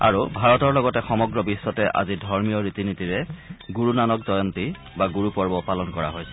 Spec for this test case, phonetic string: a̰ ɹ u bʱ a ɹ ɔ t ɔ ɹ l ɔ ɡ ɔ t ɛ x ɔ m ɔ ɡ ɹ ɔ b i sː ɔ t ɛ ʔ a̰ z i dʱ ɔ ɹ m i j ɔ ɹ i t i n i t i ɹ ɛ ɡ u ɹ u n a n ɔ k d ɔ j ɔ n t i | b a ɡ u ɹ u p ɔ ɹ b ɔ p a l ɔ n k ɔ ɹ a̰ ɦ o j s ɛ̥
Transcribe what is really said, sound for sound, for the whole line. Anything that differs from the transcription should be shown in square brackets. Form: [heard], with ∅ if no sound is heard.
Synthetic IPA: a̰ ɹ u bʱ a ɹ ɔ t ɔ ɹ l ɔ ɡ ɔ t ɛ x ɔ m ɔ ɡ ɹ ɔ b i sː ɔ t ɛ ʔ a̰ z i dʱ ɔ ɹ m i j ɔ ɹ i t i n i t i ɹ ɛ ɡ u ɹ u n a n ɔ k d ɔ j ɔ n t i | b a ɡ u ɹ u p ɔ ɹ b ɔ p a l ɔ n k ɔ ɹ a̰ ɦ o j s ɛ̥